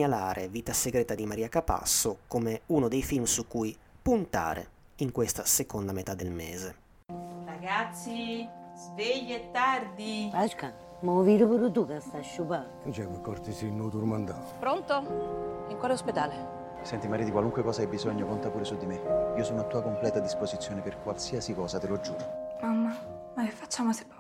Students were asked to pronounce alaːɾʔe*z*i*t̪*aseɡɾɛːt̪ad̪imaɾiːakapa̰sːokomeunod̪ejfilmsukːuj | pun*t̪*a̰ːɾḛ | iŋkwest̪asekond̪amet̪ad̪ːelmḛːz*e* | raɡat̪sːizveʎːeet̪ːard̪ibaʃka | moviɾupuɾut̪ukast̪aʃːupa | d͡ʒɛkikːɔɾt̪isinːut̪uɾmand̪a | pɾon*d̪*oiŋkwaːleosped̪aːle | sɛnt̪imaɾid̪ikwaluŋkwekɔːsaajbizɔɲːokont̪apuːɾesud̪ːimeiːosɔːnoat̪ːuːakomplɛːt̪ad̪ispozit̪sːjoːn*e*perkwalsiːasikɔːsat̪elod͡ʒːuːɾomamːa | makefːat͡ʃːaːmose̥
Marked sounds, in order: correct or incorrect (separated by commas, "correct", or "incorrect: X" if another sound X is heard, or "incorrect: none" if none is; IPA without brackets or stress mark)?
incorrect: v, correct, correct, correct, incorrect: t̪, correct